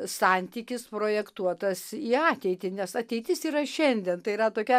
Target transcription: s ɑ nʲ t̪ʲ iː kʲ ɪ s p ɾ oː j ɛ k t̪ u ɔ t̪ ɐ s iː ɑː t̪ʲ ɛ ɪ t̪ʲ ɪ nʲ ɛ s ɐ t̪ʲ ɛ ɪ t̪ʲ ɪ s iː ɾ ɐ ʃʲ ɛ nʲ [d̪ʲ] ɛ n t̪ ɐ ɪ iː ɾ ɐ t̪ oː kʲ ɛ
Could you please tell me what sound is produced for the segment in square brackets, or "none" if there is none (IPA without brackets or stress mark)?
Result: d̪ʲ